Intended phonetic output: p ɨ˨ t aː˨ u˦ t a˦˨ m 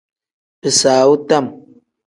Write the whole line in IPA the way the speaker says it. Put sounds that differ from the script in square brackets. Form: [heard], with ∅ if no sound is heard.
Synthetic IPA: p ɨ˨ [s] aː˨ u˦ t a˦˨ m